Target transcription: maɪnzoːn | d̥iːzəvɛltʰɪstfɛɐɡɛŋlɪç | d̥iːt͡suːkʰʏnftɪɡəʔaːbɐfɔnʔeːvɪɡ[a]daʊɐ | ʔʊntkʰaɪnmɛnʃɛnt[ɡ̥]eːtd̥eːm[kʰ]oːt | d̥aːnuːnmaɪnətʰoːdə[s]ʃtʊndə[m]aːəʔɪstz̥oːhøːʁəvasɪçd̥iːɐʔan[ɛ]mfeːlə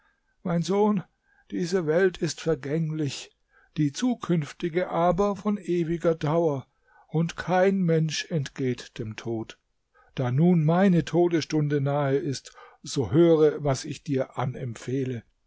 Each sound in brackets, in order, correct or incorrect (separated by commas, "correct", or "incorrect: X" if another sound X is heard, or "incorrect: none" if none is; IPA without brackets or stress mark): incorrect: ɐ, correct, incorrect: tʰ, correct, incorrect: n, correct